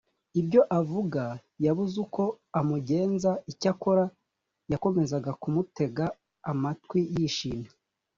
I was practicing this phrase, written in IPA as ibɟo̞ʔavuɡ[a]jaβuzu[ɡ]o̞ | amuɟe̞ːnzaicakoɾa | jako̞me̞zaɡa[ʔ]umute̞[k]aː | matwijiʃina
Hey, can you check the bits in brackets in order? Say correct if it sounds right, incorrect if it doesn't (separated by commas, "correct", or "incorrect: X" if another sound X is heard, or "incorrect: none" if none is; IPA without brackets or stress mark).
correct, incorrect: k, incorrect: k, incorrect: ɡ